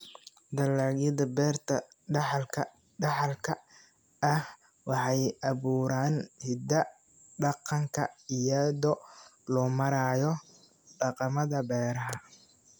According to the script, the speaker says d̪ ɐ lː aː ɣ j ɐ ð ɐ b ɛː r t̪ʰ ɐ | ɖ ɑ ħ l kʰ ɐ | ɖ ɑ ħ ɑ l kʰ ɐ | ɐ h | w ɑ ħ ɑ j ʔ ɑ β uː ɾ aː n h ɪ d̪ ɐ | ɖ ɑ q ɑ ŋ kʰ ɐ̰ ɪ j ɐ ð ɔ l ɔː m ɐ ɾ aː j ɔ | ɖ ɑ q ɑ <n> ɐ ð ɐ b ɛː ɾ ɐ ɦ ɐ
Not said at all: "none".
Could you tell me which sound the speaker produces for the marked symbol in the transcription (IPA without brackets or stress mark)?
m